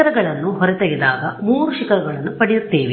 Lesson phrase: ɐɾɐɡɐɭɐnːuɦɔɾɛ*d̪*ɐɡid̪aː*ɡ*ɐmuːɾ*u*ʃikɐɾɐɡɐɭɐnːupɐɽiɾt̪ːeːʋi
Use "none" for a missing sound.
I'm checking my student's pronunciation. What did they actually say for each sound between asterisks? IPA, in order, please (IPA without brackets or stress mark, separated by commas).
t̪, ɡ, u